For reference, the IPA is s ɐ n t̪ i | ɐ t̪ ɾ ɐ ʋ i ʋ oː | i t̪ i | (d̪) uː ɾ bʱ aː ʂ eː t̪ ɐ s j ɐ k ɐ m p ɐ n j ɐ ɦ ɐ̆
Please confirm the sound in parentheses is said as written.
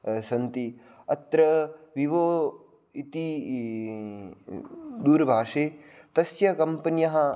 yes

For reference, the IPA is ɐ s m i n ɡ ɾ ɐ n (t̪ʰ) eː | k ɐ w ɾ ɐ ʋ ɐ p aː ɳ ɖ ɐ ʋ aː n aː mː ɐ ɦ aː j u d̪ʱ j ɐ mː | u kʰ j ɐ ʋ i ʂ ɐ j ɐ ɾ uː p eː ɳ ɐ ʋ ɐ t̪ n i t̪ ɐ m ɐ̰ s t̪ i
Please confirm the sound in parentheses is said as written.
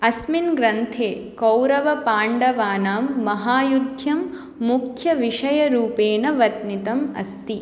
yes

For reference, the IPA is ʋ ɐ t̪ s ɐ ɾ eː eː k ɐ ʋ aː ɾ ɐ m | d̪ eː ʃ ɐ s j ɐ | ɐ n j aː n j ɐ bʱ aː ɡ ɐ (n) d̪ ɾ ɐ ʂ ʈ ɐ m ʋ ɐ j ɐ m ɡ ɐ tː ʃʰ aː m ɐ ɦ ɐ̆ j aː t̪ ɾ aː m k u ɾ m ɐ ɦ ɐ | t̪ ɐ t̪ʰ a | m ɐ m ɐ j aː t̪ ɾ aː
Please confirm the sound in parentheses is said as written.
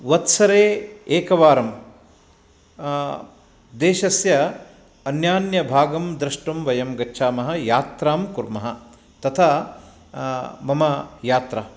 no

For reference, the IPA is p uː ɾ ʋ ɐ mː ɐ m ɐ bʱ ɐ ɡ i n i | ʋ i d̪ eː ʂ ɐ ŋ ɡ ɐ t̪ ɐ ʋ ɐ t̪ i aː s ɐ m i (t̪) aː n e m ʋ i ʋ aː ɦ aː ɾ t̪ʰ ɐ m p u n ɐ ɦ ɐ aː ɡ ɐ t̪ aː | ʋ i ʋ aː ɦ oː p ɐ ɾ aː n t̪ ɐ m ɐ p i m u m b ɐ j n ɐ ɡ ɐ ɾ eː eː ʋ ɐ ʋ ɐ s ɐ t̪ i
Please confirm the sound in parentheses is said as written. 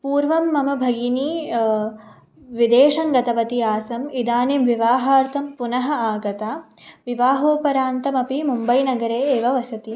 no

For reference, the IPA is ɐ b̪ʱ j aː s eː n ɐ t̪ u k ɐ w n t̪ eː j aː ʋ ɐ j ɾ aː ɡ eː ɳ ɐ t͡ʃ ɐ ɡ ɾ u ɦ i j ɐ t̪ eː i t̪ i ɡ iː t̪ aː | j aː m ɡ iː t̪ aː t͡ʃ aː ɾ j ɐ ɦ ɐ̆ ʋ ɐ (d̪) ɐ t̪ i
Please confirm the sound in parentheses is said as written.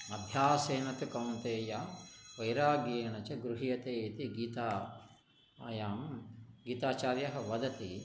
yes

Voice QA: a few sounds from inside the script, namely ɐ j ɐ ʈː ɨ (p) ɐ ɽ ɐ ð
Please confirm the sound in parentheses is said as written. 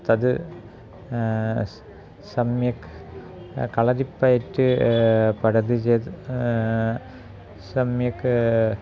yes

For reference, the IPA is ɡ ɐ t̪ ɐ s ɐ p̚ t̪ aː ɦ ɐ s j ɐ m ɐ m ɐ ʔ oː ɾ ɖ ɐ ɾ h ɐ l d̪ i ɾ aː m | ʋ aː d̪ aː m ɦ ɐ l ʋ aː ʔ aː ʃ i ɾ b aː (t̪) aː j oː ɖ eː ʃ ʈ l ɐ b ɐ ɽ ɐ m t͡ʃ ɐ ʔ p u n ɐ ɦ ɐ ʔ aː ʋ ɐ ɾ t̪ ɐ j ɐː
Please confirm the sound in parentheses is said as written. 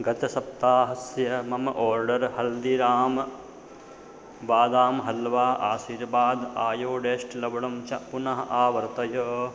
no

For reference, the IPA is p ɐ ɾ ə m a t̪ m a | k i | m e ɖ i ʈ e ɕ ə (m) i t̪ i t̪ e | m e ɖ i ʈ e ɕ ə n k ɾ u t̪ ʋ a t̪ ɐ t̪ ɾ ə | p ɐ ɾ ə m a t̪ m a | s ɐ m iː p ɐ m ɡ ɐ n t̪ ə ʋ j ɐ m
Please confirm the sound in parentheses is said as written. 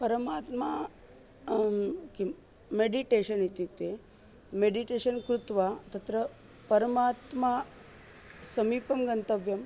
no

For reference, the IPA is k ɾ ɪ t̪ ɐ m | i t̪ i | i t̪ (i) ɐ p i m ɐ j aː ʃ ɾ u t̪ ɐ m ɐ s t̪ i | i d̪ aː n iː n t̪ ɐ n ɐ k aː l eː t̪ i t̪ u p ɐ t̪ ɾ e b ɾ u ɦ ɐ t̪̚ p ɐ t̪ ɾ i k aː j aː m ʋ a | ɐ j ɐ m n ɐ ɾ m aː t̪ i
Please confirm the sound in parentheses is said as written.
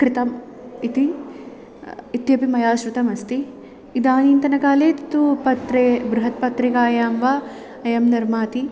no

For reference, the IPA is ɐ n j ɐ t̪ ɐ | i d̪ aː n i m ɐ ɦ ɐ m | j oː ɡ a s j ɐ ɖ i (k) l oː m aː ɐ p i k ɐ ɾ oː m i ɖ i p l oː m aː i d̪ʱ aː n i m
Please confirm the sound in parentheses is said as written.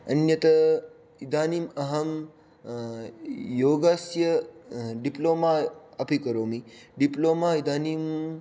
no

